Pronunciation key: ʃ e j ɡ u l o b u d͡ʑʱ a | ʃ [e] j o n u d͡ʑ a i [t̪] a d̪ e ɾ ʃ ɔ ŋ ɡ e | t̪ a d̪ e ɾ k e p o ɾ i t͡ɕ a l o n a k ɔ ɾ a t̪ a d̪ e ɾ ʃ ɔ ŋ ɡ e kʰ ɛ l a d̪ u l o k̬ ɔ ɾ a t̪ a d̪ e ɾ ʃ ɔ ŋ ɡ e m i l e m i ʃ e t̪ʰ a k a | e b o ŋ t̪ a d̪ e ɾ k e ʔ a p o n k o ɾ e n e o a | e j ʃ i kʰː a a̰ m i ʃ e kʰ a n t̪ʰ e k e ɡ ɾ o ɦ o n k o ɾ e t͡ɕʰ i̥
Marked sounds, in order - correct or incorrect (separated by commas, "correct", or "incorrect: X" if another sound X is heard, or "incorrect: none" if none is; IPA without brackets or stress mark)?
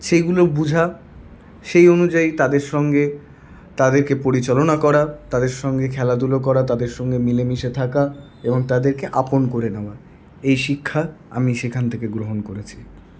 correct, correct